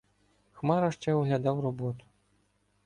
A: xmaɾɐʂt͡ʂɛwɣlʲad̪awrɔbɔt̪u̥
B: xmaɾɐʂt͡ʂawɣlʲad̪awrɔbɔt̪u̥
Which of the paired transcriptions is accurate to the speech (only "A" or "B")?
A